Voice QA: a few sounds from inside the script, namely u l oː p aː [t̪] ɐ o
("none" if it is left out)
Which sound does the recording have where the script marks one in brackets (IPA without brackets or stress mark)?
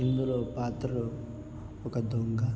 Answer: t̪